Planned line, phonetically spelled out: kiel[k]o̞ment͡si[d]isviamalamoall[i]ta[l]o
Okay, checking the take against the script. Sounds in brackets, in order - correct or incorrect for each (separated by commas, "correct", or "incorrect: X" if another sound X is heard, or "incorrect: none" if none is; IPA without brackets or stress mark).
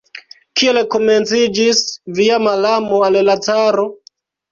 correct, incorrect: d͡ʒ, incorrect: a, incorrect: ɾ